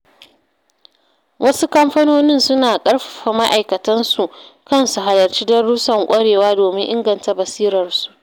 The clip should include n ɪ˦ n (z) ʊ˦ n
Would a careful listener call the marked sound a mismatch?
yes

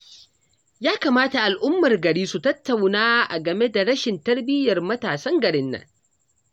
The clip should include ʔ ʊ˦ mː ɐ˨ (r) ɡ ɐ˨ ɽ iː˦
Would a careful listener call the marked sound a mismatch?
no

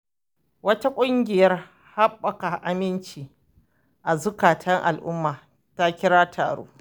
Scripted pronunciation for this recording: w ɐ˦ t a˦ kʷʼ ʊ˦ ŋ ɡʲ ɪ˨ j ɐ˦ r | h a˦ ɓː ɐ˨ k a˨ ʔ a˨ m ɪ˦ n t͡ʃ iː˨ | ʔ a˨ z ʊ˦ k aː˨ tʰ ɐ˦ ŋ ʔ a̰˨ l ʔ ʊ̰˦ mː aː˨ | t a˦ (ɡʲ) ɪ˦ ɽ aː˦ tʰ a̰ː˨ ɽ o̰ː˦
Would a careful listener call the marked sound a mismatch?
yes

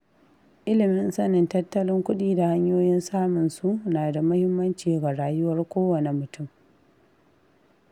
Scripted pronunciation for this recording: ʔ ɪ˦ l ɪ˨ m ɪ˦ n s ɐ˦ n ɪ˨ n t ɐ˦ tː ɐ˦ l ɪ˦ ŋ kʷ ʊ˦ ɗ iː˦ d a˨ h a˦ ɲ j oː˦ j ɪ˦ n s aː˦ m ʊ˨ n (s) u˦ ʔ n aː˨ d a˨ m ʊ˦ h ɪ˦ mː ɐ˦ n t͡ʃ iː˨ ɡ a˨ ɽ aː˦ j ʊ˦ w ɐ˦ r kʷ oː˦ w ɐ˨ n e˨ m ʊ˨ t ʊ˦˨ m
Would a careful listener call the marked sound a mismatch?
no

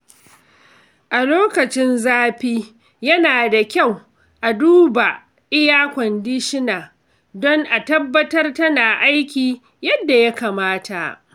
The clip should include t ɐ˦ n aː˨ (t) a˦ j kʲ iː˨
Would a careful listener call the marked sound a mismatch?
yes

